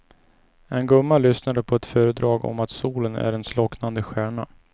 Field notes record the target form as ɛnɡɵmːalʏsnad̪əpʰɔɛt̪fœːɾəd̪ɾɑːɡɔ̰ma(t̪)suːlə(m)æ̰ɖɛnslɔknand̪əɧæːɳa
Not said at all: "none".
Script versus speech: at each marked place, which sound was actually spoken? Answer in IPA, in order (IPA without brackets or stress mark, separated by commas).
t̪, n